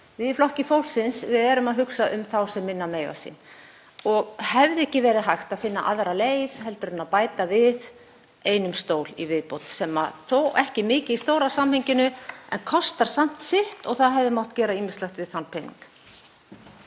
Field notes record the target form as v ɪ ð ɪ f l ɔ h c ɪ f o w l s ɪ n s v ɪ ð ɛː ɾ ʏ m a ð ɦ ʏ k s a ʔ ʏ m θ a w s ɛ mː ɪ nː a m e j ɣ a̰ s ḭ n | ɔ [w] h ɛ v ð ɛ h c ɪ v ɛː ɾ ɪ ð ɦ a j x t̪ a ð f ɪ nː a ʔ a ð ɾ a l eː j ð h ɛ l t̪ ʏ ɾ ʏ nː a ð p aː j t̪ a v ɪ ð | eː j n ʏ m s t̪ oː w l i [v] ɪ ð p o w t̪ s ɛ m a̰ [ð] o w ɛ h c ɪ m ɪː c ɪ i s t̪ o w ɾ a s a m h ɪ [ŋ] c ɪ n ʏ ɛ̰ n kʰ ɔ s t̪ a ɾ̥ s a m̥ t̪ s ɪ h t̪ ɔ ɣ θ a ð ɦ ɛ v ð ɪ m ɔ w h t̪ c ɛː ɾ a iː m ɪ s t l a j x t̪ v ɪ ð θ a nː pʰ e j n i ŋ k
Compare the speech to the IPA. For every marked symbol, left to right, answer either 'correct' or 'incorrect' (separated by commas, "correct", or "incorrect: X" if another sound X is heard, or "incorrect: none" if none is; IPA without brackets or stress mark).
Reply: incorrect: ɣ, correct, incorrect: θ, incorrect: ɲ